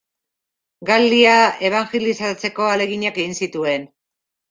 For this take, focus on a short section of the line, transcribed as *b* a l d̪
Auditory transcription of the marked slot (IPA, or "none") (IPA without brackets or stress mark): ɡ